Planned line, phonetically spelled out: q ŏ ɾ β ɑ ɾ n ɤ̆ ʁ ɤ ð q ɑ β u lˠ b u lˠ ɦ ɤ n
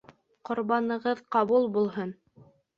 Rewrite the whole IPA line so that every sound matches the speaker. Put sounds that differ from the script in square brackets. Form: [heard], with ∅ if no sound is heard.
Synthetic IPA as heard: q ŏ ɾ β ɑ [∅] n ɤ̆ ʁ ɤ ð q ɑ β u lˠ b u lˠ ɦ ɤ n